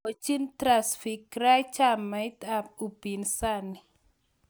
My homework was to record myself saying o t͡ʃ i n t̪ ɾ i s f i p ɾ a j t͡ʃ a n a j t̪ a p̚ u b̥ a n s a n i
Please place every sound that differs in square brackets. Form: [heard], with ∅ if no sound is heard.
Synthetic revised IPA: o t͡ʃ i n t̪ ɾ [a] s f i [k] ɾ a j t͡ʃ a [m] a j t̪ a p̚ u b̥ [i] n s a n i